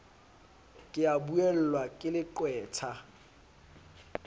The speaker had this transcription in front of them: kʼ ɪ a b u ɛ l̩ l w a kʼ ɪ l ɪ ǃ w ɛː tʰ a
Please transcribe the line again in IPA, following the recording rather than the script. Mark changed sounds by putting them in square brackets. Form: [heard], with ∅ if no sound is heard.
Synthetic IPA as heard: kʼ ɪ a b u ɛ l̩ l w a kʼ ɪ l ɪ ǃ w ɛː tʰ a